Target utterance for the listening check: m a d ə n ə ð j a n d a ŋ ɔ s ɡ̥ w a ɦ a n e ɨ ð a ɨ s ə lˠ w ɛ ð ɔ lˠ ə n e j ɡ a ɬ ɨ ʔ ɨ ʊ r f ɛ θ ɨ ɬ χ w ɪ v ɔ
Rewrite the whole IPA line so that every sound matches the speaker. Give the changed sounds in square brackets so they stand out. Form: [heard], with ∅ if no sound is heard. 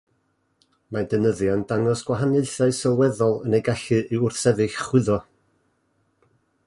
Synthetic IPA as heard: m a d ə n ə ð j a n d a ŋ ɔ s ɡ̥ w a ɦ a n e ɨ [θ] a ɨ s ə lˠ w ɛ ð ɔ lˠ ə n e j ɡ a ɬ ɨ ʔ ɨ ʊ r [θ] ɛ [ð] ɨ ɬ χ w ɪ [ð] ɔ